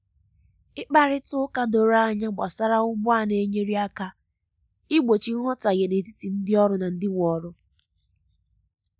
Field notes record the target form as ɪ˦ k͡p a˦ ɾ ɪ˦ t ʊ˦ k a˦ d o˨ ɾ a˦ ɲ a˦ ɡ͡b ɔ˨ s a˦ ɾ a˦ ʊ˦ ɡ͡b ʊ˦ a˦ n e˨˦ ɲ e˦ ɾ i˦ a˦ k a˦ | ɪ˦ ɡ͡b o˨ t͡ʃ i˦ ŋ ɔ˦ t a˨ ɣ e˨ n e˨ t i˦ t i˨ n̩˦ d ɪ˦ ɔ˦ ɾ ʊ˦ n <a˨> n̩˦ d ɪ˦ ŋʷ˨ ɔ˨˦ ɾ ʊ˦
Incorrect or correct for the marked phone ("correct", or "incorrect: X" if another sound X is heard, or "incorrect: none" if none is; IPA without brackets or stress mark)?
correct